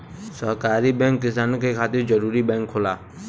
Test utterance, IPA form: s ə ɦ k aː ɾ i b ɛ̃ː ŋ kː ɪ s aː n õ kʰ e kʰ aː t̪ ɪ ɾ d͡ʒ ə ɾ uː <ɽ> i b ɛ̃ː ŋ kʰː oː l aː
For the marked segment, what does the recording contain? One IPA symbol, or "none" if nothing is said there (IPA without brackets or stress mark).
ɾ